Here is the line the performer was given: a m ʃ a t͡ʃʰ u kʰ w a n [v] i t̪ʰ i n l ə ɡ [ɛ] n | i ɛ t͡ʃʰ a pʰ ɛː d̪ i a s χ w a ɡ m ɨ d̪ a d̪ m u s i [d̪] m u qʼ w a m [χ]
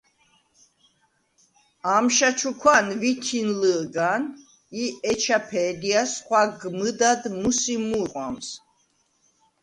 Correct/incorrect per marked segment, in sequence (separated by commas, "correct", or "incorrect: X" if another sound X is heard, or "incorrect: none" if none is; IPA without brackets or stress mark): correct, incorrect: a, incorrect: none, incorrect: s